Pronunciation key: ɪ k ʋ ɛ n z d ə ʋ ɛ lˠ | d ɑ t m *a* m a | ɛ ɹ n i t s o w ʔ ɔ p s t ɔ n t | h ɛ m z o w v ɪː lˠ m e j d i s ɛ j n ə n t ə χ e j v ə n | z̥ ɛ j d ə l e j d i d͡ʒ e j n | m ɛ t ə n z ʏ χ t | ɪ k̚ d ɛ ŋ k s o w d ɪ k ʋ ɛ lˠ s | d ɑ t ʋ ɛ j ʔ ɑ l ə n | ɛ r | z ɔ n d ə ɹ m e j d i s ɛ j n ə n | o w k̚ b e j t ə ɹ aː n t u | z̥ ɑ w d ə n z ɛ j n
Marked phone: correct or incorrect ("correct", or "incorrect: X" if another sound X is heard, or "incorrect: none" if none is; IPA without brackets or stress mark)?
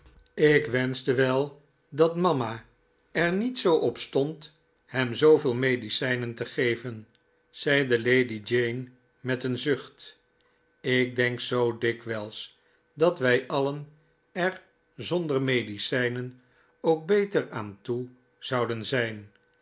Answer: incorrect: ɑ